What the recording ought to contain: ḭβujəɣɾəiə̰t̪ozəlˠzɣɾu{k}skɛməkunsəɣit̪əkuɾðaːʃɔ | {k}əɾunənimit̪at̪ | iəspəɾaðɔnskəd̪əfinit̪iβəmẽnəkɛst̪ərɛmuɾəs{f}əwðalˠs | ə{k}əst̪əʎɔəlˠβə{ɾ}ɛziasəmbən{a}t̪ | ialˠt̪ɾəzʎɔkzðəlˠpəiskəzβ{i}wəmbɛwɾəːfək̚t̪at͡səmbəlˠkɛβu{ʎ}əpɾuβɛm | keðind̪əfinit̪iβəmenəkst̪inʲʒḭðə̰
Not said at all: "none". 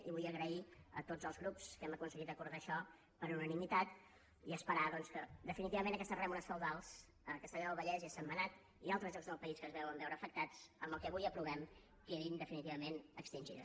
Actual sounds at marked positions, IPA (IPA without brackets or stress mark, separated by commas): p, p, f, k, ʎ, a, ɛ, j